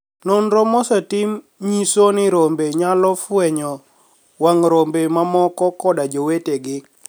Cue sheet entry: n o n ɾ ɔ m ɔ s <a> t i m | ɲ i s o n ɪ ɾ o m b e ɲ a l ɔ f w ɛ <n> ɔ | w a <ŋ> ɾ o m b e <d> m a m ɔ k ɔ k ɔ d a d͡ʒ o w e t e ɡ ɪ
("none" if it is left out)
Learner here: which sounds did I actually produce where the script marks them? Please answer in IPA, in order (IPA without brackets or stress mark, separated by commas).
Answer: a, ɲ, ŋ, none